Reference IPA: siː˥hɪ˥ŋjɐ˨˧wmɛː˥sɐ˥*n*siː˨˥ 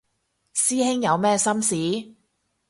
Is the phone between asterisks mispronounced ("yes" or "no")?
yes